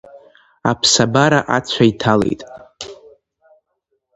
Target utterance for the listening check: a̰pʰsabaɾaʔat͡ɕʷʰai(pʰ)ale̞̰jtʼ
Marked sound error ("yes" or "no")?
yes